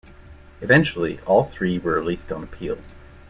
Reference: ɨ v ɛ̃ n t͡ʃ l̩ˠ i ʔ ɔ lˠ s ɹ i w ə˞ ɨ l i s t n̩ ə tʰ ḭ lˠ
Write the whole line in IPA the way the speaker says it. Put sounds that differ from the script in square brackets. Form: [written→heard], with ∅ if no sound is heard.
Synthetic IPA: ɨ v ɛ̃ n t͡ʃ l̩ˠ i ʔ ɔ lˠ [s→θ] ɹ i w ə˞ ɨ l i s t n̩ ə [tʰ→pʰ] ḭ lˠ

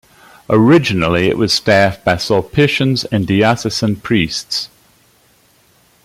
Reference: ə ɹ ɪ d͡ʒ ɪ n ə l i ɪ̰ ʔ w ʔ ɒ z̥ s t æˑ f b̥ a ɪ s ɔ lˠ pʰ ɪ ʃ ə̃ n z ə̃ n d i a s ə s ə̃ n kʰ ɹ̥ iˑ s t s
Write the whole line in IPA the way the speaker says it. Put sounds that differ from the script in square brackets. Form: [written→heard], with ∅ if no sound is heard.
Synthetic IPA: ə ɹ ɪ d͡ʒ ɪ n ə l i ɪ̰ ʔ w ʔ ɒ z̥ s t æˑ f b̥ a ɪ s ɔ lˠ pʰ ɪ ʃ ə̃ n z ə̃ n d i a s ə s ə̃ n [kʰ→pʰ] ɹ̥ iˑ s t s

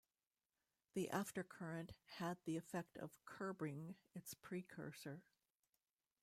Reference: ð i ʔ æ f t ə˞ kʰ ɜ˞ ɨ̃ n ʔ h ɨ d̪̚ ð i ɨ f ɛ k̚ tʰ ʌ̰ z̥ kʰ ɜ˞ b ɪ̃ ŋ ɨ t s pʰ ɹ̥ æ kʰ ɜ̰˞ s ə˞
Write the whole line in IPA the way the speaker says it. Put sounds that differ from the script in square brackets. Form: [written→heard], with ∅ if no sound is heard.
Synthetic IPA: ð i ʔ æ f t ə˞ kʰ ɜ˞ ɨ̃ n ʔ h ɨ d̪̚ ð i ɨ f ɛ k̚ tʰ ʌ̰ [z̥→v̥] kʰ ɜ˞ b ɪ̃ ŋ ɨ t s pʰ ɹ̥ [æ→i] kʰ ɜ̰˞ s ə˞

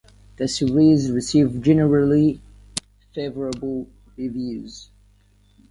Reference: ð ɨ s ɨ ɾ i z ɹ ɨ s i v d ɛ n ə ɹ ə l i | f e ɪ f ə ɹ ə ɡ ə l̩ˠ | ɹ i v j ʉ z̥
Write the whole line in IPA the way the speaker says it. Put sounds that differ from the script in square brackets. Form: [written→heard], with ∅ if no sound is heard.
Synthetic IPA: ð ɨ s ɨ [ɾ→ɹ] i z ɹ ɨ s i v [d→d͡ʒ] ɛ n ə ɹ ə l i | f e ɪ [f→v] ə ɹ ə [ɡ→b] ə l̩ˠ | ɹ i v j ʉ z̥

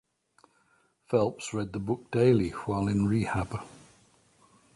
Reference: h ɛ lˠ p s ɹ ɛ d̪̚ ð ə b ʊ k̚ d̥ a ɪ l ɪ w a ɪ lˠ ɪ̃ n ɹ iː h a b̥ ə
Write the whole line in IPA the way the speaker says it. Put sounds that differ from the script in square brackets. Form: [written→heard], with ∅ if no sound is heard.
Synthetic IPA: [h→f] ɛ lˠ p s ɹ ɛ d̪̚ ð ə b ʊ k̚ d̥ [a→e] ɪ l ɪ w a ɪ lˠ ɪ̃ n ɹ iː h a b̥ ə

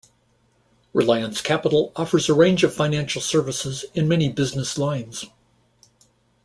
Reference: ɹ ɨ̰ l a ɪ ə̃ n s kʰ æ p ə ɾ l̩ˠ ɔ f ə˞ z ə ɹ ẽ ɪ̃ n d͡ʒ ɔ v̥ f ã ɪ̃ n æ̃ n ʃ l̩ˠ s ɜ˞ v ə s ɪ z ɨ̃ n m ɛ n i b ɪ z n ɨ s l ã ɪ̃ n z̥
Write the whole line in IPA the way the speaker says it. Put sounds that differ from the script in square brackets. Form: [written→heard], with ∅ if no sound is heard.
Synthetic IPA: ɹ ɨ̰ l a ɪ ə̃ n s kʰ æ p ə ɾ l̩ˠ ɔ f ə˞ z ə ɹ ẽ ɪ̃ n d͡ʒ [ɔ→ʌ] v̥ f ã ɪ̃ n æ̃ n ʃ l̩ˠ s ɜ˞ v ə s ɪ z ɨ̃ n m ɛ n i b ɪ z n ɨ s l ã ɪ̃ n z̥

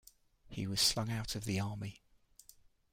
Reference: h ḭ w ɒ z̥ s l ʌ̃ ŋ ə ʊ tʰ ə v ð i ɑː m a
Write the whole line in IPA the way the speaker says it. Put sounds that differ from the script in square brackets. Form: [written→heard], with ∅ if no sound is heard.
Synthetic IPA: h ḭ w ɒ z̥ s l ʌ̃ ŋ [ə→a] ʊ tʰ ə v ð i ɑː m [a→i]

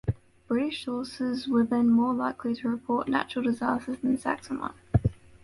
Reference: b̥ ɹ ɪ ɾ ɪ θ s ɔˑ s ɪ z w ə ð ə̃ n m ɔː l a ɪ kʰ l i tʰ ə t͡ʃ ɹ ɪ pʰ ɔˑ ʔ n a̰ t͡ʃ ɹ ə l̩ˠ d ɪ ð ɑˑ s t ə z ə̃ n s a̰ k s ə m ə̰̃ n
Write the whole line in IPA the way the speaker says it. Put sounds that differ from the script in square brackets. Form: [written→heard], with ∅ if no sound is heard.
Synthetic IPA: b̥ ɹ ɪ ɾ ɪ [θ→ʃ] s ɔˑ s ɪ z w ə ð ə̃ n m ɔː l a ɪ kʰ l i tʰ ə [t͡ʃ→∅] ɹ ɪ pʰ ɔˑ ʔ n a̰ t͡ʃ ɹ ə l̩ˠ d ɪ [ð→z] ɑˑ s t ə z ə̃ n s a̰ k s ə m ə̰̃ n

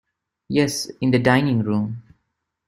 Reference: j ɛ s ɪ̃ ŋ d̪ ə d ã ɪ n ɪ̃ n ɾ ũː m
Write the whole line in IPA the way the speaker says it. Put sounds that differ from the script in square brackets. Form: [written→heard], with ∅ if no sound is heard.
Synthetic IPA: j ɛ s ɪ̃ [ŋ→n] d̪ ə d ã ɪ n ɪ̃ [n→ŋ] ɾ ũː m

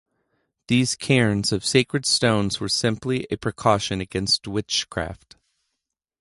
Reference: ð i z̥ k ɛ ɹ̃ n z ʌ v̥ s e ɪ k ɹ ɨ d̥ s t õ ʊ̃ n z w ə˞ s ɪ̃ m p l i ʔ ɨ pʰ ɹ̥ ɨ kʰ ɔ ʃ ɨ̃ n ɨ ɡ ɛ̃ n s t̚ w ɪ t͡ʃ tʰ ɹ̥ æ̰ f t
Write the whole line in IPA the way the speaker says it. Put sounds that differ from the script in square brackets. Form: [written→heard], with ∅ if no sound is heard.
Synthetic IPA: ð i z̥ [k→kʰ] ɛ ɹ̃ n z ʌ v̥ s e ɪ k ɹ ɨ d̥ s t õ ʊ̃ n z w ə˞ s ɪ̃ m p l i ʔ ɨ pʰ ɹ̥ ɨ kʰ ɔ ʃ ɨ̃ n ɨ ɡ ɛ̃ n s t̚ w ɪ t͡ʃ [tʰ→kʰ] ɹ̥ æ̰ f t

